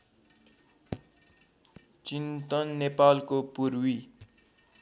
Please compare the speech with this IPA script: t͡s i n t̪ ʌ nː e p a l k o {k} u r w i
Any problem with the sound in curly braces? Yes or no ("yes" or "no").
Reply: yes